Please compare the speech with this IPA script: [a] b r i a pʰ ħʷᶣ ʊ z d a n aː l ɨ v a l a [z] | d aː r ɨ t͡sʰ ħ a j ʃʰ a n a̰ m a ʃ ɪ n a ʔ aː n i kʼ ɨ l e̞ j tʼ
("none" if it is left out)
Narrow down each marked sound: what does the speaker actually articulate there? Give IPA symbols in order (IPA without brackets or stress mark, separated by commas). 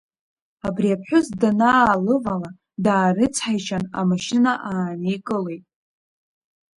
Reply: a, none